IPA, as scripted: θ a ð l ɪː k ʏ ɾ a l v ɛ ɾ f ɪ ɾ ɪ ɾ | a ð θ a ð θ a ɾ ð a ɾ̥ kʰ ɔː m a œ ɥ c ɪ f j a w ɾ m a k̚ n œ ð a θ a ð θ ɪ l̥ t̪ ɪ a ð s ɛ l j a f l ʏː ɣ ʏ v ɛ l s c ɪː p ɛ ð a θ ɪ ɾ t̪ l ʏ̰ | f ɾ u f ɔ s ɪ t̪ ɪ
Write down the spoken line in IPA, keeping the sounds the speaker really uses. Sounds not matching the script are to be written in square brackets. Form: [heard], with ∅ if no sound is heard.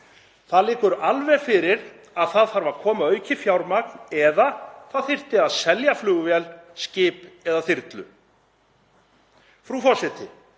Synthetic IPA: θ a ð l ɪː k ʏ ɾ a l v ɛ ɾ f ɪ ɾ ɪ ɾ | a ð θ a ð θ a ɾ [v] a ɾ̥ kʰ ɔː m a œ ɥ c ɪ f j a w ɾ m a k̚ n [ɛ] ð a θ a ð θ ɪ [r̥] t̪ ɪ a ð s ɛ l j a f l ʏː ɣ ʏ v ɛ l s c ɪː p ɛ ð a θ ɪ ɾ t̪ l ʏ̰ | f ɾ u f ɔ s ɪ t̪ ɪ